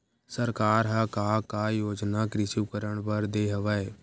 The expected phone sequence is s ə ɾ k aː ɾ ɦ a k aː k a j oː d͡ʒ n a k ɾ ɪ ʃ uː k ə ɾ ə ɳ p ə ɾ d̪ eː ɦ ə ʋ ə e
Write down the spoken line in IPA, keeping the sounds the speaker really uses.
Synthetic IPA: s ə ɾ k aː ɾ ɦ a k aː k a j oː d͡ʒ n a k ɾ ɪ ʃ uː k ə ɾ ə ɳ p ə ɾ d̪ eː ɦ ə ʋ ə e